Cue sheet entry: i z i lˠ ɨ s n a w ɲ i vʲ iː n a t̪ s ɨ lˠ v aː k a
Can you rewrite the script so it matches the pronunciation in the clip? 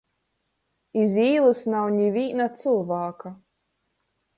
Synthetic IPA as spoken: i z iː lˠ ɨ s n a w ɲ i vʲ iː n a t̪ s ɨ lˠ v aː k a